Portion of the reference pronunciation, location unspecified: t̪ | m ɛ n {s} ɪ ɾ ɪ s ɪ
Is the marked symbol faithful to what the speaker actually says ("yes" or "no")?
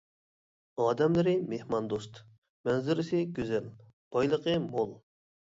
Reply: no